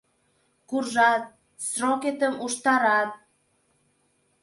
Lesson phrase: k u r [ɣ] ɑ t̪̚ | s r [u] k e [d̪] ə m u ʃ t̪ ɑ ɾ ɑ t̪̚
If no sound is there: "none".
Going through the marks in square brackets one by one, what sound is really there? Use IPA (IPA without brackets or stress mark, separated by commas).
ʒ, o, t̪